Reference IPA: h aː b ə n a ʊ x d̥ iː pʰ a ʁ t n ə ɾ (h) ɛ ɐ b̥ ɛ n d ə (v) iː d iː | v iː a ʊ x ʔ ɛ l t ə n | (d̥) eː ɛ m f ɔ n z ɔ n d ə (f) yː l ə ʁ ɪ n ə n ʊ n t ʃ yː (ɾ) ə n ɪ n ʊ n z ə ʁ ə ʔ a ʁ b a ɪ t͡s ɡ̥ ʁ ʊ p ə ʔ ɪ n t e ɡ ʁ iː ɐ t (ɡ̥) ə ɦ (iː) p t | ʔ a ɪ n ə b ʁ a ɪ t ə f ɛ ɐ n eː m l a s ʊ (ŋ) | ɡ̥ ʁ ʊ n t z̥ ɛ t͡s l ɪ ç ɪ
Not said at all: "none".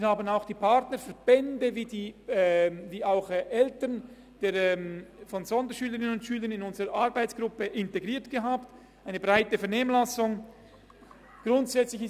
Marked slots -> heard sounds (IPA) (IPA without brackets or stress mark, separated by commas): f, v, d̥, ʃ, l, ɡ̥, aː, ŋ